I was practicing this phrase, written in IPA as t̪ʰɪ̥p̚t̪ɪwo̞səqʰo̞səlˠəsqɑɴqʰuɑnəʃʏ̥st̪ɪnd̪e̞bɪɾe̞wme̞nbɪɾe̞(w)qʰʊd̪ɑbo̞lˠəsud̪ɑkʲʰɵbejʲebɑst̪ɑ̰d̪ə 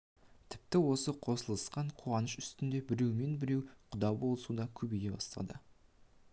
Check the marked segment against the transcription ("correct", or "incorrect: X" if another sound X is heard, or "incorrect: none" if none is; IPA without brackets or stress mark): correct